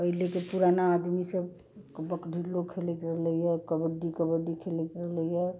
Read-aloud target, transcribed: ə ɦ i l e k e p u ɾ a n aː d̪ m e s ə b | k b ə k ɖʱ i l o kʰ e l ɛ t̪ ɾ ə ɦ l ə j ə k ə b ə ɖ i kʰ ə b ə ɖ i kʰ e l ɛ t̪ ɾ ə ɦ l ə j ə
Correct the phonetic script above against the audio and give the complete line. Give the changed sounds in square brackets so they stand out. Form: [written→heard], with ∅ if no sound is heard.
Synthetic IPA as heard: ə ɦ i l e k e p u ɾ a n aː d̪ m [e→i] s ə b | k b ə k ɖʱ i l o kʰ e l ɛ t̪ ɾ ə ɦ l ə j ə k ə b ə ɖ i [kʰ→k] ə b ə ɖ i kʰ e l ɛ t̪ ɾ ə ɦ l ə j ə